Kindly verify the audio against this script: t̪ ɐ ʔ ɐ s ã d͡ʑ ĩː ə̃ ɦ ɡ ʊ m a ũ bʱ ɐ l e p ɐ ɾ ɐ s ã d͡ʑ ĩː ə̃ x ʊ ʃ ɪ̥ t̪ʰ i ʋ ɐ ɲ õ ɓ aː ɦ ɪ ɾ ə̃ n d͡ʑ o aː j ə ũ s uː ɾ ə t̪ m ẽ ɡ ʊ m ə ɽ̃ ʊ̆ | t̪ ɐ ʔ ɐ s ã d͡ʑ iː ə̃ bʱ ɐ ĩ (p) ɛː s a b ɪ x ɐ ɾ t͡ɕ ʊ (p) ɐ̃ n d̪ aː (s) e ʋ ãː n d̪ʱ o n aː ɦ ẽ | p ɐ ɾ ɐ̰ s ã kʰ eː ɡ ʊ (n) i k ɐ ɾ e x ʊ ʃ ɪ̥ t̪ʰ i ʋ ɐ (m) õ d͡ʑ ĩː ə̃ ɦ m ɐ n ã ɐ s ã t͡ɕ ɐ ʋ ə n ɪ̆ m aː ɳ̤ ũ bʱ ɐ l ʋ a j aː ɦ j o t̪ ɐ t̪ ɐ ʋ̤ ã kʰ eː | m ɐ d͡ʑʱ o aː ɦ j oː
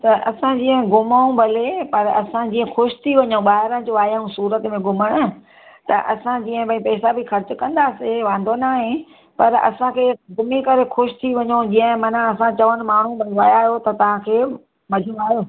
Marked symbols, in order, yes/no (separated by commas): yes, no, yes, no, no